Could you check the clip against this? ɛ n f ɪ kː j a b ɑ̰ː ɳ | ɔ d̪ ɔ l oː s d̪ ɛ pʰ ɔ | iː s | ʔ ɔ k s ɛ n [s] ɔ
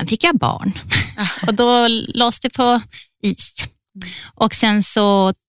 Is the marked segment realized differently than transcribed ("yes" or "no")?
no